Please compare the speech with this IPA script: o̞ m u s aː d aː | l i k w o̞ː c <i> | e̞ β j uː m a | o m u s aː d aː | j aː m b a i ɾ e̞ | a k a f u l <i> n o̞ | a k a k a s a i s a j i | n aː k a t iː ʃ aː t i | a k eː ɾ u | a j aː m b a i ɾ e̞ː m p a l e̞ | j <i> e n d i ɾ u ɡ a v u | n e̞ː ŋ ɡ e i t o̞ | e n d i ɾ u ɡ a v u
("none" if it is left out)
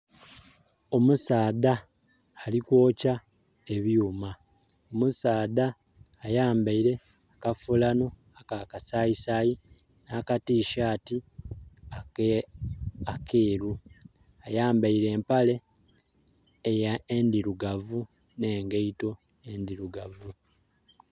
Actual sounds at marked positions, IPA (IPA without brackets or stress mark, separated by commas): a, a, a